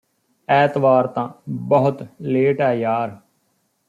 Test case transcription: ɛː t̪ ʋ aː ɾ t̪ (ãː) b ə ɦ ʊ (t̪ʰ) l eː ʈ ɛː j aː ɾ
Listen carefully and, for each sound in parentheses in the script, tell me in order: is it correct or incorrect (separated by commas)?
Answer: correct, incorrect